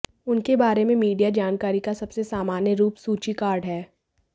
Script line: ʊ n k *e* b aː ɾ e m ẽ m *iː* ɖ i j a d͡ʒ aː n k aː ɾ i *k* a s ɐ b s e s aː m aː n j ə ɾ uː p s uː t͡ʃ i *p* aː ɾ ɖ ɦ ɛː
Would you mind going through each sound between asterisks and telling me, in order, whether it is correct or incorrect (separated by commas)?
correct, correct, correct, incorrect